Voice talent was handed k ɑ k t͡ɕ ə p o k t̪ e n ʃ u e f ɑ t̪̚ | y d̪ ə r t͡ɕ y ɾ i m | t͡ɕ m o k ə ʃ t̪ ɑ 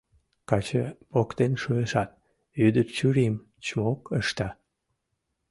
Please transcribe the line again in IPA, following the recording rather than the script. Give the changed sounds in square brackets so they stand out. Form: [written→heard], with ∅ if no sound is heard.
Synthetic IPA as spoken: k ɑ [k→∅] t͡ɕ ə p o k t̪ e n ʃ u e [f→ʃ] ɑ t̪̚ | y d̪ ə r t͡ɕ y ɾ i m | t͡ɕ m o k ə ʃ t̪ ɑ

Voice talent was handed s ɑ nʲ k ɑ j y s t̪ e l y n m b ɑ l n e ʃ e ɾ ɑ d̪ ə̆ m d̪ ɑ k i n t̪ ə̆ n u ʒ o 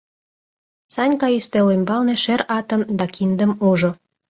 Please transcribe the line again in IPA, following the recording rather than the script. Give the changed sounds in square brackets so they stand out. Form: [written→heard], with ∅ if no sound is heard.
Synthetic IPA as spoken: s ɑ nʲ k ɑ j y s t̪ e l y [n→∅] m b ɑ l n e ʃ e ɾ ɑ [d̪→t̪] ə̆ m d̪ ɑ k i n [t̪→d̪] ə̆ [n→m] u ʒ o

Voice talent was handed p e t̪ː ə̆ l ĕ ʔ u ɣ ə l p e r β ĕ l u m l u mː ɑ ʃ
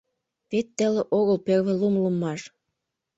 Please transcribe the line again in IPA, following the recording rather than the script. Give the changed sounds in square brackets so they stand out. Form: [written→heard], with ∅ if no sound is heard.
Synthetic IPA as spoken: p e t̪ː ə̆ l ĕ ʔ [u→o] ɣ ə l p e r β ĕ l u m l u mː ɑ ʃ

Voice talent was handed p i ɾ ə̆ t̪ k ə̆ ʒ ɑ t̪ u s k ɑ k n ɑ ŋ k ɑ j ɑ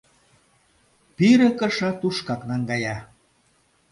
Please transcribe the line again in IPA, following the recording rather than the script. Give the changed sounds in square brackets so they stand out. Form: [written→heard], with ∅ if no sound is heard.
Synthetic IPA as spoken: p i ɾ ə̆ [t̪→∅] k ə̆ [ʒ→ʃ] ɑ t̪ u [s→ʃ] k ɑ k n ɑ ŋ [k→ɡ] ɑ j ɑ

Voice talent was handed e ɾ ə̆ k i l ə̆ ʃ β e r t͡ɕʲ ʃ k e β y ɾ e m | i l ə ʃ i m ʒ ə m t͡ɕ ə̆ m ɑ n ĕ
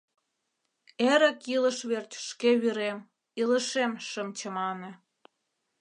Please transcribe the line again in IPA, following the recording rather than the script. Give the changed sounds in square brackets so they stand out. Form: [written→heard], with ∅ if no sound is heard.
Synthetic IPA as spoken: e ɾ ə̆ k i l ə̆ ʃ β e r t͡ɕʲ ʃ k e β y ɾ e m | i l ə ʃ [i→e] m [ʒ→ʃ] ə m t͡ɕ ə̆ m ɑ n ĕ

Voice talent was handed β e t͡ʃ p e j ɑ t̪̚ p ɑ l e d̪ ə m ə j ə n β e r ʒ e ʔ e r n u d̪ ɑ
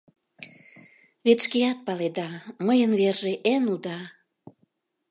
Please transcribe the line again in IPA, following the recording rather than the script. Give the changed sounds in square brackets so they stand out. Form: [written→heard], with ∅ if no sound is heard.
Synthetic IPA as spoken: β e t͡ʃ [p→k] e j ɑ t̪̚ p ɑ l e d̪ [ə→ɑ] m ə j ə n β e r ʒ e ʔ e [r→∅] n u d̪ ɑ

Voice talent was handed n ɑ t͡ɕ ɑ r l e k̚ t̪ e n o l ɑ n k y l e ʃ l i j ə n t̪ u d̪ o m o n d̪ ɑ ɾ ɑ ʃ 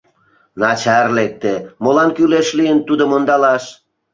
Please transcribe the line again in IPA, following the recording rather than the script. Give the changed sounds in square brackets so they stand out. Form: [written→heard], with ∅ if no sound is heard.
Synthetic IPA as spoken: n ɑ t͡ɕ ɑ r l e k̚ t̪ e [n→m] o l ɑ n k y l e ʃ l i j ə n t̪ u d̪ o m o n d̪ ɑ [ɾ→l] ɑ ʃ

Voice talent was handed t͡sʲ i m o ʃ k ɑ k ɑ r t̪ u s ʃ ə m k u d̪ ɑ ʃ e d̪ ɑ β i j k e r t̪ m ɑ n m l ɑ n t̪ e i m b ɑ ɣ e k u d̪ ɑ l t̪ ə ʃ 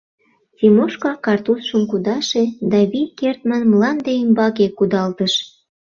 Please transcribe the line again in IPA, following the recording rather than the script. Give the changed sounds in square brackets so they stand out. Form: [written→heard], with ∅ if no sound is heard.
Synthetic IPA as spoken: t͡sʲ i m o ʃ k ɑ k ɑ r t̪ u s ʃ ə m k u d̪ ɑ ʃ e d̪ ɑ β i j k e r t̪ m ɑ n m l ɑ n [t̪→d̪] e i m b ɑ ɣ e k u d̪ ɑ l t̪ ə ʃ

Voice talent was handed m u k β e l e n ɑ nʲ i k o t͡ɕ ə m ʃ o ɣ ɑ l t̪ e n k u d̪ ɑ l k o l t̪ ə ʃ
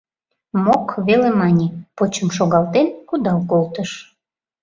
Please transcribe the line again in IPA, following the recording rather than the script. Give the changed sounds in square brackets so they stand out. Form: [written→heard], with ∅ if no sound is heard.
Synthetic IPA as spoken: m [u→o] k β e l e [n→m] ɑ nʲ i [k→p] o t͡ɕ ə m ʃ o ɣ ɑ l t̪ e n k u d̪ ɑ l k o l t̪ ə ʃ

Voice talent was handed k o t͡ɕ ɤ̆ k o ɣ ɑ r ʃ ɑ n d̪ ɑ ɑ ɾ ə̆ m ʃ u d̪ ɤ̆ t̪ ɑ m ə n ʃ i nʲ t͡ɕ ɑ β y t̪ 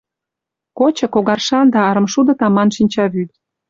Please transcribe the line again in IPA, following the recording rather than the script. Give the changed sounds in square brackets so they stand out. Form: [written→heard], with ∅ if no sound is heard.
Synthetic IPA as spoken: k o t͡ɕ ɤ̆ k o ɣ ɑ r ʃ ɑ n d̪ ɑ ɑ ɾ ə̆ m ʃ u d̪ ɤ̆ t̪ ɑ m [ə→ɑ] n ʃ i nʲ t͡ɕ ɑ β y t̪

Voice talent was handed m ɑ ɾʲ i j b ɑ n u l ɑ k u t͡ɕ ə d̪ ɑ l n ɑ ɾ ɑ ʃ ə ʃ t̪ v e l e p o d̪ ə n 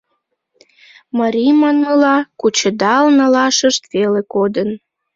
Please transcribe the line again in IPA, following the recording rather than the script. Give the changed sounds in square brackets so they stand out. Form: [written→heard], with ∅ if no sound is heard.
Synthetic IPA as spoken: m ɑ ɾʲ i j [b→m] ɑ n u l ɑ k u t͡ɕ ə d̪ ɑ l n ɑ [ɾ→l] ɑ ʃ ə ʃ t̪ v e l e [p→k] o d̪ ə n

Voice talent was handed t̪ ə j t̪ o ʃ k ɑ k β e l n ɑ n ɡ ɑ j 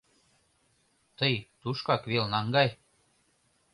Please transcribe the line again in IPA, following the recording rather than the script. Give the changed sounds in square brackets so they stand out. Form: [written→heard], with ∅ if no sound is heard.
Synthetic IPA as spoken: t̪ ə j t̪ [o→u] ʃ k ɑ k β e l n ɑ [n→ŋ] ɡ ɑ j

